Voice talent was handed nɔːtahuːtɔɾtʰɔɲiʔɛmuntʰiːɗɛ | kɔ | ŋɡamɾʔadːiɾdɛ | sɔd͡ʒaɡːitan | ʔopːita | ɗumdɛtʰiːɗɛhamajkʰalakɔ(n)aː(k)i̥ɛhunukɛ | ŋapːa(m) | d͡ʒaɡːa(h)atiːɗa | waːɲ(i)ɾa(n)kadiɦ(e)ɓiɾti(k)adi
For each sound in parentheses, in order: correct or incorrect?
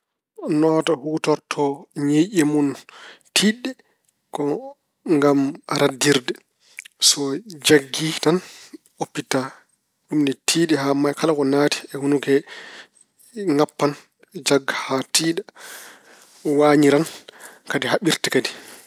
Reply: correct, incorrect, incorrect, correct, correct, correct, incorrect, correct

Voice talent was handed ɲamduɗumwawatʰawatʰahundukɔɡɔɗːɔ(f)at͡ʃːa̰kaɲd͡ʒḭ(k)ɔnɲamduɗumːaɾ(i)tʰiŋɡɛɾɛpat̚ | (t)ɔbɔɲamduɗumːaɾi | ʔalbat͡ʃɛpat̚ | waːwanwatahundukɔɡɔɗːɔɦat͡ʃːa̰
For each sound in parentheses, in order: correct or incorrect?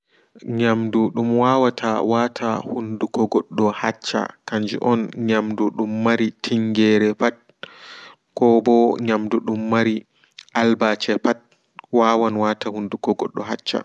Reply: incorrect, incorrect, correct, incorrect

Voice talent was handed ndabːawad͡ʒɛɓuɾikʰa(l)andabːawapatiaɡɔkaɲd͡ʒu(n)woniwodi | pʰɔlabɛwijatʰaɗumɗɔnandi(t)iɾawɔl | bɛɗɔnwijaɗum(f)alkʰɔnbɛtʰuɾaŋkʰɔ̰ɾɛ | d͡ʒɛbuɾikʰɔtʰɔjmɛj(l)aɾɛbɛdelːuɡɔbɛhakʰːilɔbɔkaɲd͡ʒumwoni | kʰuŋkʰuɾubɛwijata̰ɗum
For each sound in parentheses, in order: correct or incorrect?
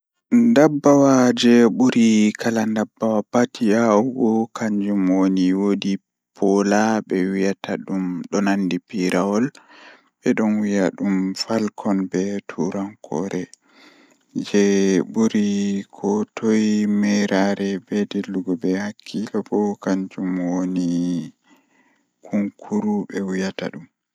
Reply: correct, incorrect, incorrect, correct, incorrect

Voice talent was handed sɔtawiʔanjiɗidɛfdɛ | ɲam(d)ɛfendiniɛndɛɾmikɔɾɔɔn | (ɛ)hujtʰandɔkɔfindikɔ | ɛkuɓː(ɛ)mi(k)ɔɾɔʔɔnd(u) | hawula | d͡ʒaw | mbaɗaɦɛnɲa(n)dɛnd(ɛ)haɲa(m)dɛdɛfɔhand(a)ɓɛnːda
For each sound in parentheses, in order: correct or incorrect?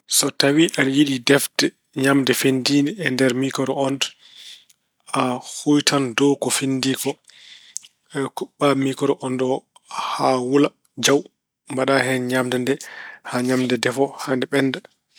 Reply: correct, incorrect, incorrect, correct, incorrect, incorrect, correct, correct, incorrect

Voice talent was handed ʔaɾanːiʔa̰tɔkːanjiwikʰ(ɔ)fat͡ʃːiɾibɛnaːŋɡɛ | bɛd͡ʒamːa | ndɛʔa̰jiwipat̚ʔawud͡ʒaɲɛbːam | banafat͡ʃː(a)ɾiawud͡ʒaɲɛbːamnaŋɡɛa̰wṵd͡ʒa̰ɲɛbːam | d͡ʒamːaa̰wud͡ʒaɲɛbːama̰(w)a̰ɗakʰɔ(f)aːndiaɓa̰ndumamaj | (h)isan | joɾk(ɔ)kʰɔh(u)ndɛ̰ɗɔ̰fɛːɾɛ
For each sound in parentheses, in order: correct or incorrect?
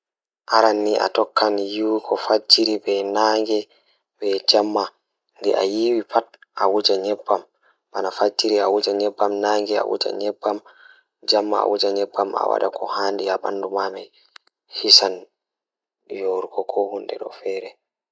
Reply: correct, incorrect, correct, incorrect, correct, correct, correct

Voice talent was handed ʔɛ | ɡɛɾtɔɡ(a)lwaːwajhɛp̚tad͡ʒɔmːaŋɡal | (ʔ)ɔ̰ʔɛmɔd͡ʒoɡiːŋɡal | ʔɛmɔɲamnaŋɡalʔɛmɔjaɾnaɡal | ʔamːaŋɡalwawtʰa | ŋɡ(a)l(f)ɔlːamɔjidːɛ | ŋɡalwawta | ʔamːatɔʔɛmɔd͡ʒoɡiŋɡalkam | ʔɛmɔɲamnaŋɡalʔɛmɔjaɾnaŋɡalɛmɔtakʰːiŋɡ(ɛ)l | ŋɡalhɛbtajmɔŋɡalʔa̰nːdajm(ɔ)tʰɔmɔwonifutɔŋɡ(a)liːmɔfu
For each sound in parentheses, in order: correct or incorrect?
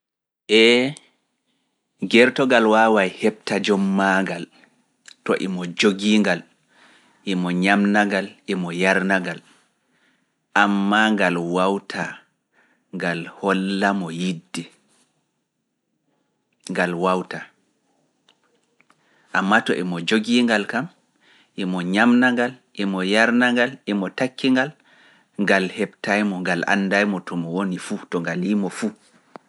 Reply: correct, incorrect, correct, incorrect, incorrect, correct, correct

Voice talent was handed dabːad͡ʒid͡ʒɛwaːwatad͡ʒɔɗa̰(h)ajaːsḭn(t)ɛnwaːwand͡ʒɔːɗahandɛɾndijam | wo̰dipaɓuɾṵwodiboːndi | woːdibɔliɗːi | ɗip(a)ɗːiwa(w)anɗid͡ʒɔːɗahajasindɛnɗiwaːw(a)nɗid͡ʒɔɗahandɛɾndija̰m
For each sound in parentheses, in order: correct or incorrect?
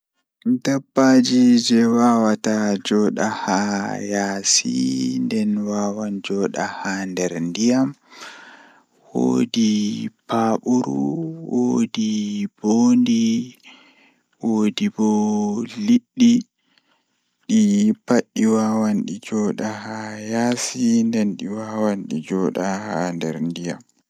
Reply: correct, incorrect, correct, correct, correct

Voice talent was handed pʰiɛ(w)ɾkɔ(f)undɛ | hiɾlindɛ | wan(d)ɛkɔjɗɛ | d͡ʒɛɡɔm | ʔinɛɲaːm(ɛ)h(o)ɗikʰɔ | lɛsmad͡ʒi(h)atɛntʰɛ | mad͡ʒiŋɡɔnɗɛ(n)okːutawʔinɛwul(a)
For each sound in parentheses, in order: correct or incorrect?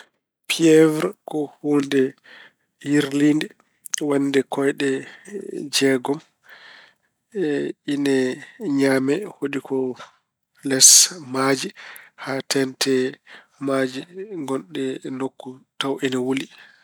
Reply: incorrect, incorrect, correct, correct, correct, correct, correct, incorrect

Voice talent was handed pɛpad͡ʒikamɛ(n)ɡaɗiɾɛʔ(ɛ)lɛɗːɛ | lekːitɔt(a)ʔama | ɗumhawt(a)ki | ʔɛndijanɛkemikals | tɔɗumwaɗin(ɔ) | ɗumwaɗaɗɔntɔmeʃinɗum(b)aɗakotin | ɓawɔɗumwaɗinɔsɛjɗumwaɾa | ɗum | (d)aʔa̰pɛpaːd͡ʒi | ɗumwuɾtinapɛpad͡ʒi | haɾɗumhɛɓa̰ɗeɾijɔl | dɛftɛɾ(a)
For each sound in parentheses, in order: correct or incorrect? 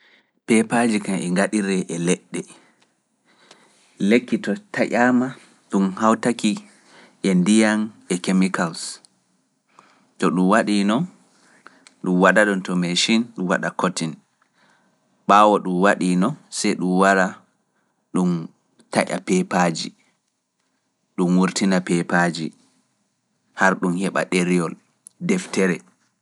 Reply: incorrect, correct, correct, correct, correct, incorrect, incorrect, incorrect

